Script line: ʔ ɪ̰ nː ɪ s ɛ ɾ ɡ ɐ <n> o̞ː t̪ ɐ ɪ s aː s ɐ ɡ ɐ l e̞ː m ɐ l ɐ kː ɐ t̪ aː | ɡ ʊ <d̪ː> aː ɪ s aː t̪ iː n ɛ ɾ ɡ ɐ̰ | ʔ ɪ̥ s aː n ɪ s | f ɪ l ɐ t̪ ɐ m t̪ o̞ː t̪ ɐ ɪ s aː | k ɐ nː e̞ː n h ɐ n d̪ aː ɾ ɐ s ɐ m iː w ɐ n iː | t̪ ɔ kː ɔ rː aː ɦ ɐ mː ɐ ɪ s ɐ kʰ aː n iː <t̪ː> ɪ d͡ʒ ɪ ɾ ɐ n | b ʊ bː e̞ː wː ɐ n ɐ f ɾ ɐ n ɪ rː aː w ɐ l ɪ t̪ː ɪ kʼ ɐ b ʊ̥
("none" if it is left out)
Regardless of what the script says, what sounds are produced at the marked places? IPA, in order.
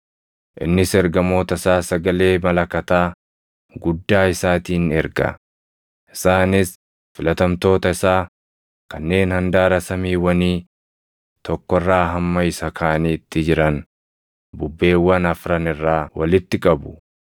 m, d̪ː, t̪ː

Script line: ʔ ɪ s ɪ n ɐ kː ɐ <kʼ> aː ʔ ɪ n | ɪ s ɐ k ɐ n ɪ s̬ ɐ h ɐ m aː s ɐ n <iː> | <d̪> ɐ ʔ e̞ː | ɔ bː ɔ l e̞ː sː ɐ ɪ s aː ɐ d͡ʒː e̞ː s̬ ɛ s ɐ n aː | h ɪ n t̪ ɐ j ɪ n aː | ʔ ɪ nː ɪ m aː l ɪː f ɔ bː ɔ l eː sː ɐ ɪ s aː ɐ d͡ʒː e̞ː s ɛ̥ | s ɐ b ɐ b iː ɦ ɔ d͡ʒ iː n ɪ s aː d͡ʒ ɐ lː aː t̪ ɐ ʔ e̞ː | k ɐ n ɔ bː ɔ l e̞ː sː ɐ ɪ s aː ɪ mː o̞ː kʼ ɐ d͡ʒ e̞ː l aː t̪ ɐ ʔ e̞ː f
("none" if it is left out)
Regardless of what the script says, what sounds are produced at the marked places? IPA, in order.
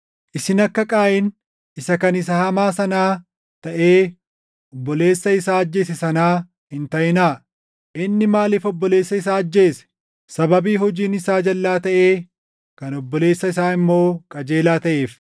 kʼ, aː, t̪

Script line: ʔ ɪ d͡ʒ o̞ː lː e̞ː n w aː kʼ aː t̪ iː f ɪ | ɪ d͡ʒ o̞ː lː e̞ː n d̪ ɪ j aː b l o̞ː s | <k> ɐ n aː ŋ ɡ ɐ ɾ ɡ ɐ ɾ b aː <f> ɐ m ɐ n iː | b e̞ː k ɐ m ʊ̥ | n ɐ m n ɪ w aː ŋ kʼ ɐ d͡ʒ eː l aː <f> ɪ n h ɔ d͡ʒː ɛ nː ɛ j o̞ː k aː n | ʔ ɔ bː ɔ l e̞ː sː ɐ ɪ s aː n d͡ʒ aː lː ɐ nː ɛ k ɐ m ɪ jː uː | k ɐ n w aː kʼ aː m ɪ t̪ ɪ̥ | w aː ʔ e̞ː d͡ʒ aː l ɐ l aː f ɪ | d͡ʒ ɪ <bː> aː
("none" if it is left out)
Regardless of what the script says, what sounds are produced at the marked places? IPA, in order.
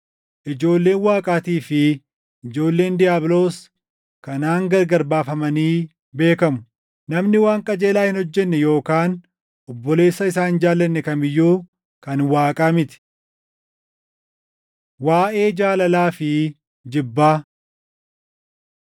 k, f, h, bː

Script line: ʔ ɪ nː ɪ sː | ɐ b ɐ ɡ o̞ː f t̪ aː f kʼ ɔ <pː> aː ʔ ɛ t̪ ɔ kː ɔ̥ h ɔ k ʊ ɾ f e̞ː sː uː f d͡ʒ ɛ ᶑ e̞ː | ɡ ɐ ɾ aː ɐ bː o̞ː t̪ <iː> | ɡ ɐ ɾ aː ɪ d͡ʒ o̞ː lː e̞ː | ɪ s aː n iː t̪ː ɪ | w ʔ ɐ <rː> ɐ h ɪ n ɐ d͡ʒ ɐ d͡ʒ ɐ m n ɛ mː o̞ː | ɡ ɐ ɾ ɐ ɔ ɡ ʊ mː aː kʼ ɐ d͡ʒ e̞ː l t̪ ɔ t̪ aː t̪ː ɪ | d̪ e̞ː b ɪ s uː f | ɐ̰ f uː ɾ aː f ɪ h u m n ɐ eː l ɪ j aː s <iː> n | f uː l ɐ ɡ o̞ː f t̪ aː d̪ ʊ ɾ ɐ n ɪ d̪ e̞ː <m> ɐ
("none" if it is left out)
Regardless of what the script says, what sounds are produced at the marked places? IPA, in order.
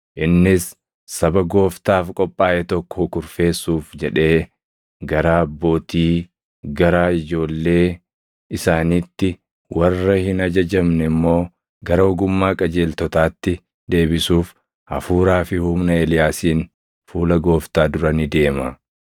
pʼː, iː, rː, iː, m

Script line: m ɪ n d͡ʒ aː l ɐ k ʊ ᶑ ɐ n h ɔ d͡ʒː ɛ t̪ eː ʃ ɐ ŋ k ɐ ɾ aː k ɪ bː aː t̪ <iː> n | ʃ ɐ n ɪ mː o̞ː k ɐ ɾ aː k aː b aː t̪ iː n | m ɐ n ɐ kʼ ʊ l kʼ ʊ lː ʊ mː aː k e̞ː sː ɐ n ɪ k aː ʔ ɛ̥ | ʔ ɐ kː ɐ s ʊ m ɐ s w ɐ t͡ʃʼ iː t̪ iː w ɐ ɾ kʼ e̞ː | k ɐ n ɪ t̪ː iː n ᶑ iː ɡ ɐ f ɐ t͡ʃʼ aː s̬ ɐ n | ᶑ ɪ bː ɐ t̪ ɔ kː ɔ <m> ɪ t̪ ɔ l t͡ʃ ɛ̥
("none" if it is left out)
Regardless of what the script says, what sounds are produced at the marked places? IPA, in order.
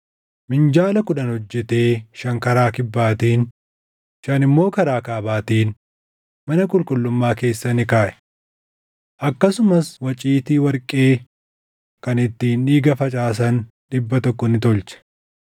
iː, n

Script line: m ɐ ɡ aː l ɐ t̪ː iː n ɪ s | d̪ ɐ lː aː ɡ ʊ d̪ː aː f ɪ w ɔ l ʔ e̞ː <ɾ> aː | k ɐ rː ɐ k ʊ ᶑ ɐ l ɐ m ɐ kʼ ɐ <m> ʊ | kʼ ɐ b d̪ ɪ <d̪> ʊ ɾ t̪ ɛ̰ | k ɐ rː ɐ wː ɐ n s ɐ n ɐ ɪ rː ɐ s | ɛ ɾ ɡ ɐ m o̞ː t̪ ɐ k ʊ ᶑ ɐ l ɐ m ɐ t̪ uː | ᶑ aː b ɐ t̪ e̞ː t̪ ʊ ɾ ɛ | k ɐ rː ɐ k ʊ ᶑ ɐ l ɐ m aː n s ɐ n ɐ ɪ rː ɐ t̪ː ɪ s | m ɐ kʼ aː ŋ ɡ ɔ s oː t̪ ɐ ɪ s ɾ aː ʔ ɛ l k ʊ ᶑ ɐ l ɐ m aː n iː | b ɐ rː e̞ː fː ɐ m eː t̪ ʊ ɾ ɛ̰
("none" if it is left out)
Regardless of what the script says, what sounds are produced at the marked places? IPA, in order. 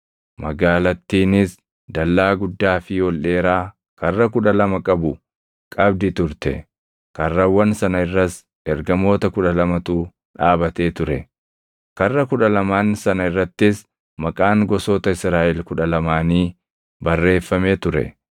ɾ, b, t̪

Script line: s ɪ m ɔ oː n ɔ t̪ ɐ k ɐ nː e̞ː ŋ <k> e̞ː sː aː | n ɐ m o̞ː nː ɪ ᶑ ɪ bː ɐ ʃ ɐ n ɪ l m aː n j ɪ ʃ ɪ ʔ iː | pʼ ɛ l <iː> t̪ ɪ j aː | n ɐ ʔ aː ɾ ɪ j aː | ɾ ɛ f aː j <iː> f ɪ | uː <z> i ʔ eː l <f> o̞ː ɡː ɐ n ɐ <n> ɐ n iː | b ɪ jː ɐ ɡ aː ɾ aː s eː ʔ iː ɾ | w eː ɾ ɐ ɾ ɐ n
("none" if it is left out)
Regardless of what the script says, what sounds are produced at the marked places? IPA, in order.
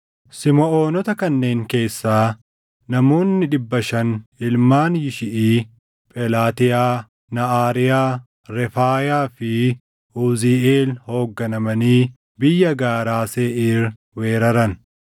k, aː, aː, z, h, m

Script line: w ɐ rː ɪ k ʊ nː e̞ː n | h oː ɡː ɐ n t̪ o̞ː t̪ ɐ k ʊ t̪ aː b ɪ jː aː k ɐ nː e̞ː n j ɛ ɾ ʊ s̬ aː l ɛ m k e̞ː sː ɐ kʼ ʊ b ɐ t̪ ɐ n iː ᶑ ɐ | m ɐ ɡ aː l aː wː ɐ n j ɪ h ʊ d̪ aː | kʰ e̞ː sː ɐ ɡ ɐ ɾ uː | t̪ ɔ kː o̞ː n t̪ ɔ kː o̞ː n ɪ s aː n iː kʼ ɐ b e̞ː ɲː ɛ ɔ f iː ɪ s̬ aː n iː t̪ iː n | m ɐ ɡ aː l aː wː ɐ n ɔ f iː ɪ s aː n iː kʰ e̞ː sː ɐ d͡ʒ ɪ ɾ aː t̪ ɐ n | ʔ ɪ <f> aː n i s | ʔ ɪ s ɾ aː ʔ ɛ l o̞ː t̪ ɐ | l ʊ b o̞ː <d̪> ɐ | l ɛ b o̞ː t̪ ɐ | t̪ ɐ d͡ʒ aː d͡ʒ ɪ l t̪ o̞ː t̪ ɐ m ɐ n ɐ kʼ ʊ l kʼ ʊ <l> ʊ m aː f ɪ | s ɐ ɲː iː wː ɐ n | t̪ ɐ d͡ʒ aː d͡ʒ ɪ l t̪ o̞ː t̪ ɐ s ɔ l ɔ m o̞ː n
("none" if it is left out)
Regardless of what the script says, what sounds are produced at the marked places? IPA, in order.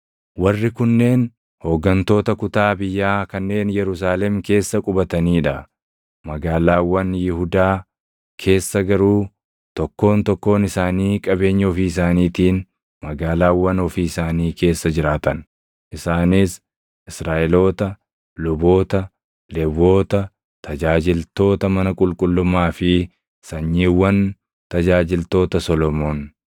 s, t̪, lː

